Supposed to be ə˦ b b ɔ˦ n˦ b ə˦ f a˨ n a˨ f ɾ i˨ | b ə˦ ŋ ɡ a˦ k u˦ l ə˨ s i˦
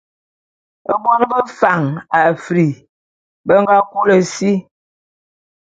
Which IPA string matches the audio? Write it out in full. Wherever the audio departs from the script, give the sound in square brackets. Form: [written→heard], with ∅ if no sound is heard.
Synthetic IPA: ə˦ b [b→w] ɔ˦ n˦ b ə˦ f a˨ [n→ŋ] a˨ f ɾ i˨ | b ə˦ ŋ ɡ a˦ k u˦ l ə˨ s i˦